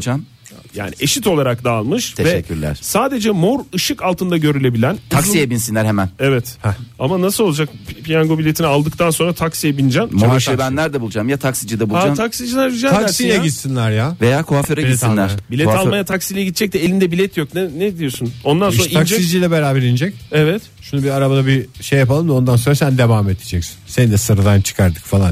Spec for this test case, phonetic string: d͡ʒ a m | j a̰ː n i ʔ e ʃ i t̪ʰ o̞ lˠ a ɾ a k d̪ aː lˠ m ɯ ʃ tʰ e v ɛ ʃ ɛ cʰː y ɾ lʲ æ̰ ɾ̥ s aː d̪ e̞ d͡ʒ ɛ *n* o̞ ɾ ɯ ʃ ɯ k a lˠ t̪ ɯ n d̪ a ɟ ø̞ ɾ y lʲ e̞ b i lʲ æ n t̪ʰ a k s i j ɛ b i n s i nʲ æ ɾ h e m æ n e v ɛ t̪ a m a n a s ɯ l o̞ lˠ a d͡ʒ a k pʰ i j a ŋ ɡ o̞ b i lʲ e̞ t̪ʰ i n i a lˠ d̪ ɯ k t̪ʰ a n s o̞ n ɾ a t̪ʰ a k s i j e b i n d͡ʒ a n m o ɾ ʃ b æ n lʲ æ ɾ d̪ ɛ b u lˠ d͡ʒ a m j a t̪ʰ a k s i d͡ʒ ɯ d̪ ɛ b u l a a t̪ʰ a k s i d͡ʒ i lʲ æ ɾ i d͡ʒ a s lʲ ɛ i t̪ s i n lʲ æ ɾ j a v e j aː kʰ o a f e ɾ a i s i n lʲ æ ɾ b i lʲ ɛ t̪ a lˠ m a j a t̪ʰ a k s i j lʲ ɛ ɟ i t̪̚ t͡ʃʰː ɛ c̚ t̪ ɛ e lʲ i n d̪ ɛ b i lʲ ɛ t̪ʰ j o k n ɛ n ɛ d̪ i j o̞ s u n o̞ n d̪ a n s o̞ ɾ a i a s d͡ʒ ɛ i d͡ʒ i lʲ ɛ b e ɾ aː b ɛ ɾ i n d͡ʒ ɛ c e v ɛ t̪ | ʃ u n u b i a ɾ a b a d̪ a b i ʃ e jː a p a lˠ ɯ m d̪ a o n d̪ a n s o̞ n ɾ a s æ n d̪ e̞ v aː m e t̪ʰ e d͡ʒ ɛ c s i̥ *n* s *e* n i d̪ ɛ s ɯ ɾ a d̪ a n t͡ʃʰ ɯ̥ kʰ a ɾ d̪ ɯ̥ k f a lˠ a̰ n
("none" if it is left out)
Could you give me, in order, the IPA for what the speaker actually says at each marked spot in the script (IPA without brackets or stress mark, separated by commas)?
m, n, e